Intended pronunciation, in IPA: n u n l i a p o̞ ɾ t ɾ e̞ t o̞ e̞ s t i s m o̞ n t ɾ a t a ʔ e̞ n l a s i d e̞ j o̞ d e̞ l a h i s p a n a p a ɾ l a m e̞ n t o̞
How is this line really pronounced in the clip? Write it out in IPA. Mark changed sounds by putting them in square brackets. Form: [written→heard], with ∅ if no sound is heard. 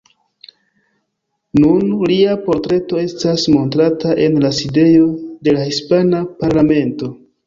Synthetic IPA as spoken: n u n l i a p o̞ ɾ t ɾ e̞ t o̞ e̞ s t [i→a] s m o̞ n t ɾ a t a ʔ e̞ n l a s i d e̞ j o̞ d e̞ l a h i s p a n a p a ɾ l a m e̞ n t o̞